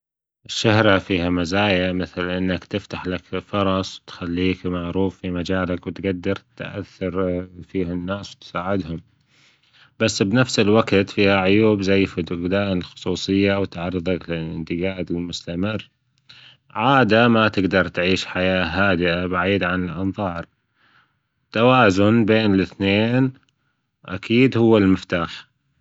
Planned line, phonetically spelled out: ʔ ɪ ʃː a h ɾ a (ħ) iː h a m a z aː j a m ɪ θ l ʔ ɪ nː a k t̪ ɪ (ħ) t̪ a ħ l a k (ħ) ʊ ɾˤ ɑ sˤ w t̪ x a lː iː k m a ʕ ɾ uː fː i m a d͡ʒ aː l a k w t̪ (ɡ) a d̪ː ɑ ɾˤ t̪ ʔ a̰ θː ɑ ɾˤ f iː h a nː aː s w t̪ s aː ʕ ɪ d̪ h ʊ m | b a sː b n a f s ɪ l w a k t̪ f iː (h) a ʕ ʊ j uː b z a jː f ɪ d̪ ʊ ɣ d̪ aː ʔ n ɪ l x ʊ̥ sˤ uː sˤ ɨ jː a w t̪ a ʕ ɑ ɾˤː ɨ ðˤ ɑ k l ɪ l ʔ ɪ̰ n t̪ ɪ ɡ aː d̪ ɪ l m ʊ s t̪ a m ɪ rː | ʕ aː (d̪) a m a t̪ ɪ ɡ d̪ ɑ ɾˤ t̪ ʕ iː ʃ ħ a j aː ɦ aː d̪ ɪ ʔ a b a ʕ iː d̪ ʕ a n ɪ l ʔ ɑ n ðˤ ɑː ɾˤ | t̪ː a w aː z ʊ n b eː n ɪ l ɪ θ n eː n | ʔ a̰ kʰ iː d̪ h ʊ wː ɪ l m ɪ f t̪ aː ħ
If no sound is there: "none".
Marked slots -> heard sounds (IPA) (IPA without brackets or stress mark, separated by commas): f, f, f, ɡ, h, d̪